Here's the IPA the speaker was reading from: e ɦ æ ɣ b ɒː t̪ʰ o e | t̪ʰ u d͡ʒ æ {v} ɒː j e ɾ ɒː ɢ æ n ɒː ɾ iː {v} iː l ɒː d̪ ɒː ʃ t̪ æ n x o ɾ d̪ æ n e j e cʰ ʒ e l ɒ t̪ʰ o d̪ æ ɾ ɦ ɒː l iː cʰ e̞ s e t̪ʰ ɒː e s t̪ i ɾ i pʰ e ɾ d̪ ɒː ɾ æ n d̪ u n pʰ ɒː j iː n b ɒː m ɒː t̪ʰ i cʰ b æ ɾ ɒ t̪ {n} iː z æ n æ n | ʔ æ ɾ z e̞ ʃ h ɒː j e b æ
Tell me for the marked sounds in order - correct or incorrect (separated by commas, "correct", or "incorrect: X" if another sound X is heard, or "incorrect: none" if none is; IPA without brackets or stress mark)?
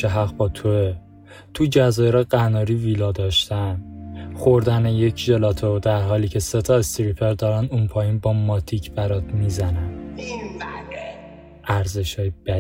incorrect: z, correct, incorrect: m